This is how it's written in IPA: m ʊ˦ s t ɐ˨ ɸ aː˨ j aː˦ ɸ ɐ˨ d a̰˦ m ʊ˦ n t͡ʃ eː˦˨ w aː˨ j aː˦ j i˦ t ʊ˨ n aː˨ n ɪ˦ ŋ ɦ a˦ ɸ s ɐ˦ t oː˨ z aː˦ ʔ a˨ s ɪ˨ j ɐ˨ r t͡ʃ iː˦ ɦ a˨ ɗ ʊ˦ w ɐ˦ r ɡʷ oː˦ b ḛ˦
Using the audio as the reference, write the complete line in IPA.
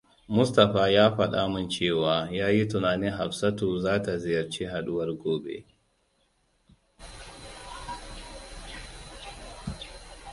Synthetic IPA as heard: m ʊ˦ s t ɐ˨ ɸ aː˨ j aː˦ ɸ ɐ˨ ɗ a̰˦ m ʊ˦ n t͡ʃ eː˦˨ w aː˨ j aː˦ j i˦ t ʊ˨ n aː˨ n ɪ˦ ŋ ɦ a˨ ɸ s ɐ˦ t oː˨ z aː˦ t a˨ z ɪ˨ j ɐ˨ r t͡ʃ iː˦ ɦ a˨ ɗ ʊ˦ w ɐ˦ r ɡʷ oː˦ b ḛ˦